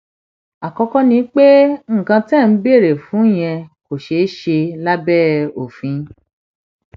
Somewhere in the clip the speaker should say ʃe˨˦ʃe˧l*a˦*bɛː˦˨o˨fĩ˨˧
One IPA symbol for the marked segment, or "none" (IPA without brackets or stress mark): a˦